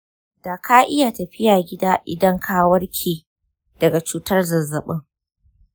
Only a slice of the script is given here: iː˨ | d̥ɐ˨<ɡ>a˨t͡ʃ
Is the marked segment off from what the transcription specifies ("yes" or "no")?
no